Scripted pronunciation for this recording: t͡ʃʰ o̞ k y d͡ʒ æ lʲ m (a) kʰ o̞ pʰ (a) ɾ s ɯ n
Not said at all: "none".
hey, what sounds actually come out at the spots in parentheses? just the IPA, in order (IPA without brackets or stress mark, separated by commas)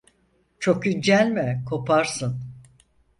ɛ, a